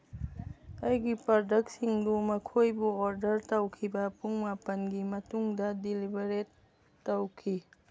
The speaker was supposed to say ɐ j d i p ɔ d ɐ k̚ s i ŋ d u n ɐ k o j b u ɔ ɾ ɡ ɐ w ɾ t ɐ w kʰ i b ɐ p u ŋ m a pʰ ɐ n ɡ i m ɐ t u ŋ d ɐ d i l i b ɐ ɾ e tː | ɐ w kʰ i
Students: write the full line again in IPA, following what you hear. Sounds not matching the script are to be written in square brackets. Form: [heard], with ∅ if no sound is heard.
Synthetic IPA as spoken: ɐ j [ɡ] i p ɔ d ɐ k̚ s i ŋ d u [m] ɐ [kʰ] o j b u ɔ ɾ [d] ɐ [∅] ɾ t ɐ w kʰ i b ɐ p u ŋ m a [p] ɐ n ɡ i m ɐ t u ŋ d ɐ d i l i b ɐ ɾ e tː | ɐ w kʰ i